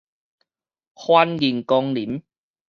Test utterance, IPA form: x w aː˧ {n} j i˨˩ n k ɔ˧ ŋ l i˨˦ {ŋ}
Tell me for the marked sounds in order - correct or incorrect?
correct, incorrect: m

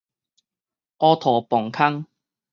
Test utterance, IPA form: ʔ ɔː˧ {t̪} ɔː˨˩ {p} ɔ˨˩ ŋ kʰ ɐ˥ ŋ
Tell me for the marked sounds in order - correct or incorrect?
incorrect: t̪ʰ, correct

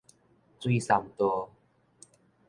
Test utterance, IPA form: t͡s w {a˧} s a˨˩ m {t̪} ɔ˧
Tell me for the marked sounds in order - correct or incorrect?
incorrect: i˧, correct

